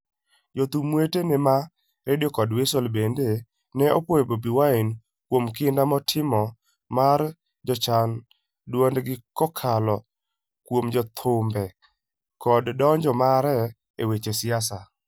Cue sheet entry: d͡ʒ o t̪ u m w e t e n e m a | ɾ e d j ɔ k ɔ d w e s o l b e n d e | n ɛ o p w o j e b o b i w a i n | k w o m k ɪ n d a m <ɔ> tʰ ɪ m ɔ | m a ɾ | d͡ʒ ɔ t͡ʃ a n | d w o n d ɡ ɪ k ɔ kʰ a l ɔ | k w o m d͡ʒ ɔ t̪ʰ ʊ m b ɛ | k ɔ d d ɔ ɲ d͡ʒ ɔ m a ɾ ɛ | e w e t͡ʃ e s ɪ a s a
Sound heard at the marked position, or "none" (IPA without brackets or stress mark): ɔ